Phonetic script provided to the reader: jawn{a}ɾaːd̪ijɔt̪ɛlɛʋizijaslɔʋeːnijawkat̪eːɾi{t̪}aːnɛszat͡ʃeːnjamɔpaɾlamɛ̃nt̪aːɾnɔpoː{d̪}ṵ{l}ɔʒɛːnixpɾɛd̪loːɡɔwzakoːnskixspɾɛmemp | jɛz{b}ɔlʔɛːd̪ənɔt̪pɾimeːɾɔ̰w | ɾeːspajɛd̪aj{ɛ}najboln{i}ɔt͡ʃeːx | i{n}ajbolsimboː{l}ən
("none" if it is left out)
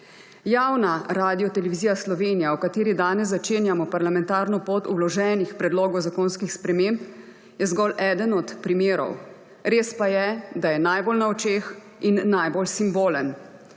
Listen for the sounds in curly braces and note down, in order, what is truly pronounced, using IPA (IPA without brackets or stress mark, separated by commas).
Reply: a, d̪, t̪, l, ɡ, ɛ, a, nː, l